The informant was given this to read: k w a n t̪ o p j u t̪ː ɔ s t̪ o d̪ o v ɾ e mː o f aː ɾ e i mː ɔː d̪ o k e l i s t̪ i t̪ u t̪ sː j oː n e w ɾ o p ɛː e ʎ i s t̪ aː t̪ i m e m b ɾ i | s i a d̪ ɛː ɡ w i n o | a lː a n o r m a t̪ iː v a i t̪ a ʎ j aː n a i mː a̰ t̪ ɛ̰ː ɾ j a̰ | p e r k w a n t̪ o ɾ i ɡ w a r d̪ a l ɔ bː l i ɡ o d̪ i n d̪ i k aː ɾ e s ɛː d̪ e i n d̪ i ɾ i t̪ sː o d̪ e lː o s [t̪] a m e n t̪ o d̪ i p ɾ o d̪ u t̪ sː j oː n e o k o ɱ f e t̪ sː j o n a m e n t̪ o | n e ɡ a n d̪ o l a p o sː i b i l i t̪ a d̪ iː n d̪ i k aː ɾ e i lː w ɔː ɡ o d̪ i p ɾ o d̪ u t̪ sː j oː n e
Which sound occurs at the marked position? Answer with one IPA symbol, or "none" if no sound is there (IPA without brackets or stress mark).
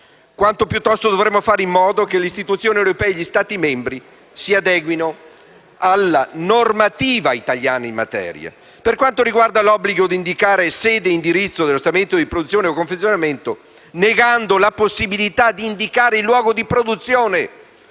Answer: t̪